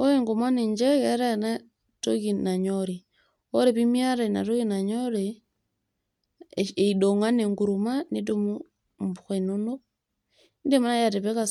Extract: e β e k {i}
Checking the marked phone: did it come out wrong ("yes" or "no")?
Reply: yes